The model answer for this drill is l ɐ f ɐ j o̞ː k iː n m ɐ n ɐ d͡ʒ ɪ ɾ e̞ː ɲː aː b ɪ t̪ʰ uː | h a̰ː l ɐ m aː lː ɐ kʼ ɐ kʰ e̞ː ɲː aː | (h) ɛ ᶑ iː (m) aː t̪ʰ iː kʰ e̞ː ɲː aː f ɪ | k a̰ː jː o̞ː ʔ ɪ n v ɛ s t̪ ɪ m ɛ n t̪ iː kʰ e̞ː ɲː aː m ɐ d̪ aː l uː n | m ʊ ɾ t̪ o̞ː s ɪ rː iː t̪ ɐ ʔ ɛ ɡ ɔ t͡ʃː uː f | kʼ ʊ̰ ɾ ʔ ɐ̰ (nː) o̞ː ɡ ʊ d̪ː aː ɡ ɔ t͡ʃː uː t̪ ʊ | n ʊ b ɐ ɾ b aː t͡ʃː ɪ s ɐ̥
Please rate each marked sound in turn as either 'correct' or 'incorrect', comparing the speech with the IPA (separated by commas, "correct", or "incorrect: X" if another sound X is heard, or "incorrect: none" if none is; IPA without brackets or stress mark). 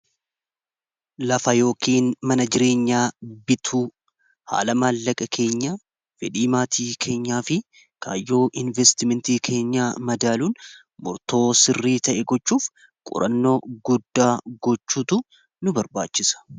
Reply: incorrect: f, correct, correct